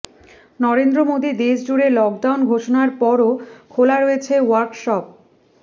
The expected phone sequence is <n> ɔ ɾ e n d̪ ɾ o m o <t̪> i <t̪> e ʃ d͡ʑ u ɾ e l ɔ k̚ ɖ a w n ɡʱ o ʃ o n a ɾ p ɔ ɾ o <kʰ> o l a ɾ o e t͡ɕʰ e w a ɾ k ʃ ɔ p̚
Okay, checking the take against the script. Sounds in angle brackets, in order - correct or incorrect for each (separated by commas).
correct, incorrect, incorrect, correct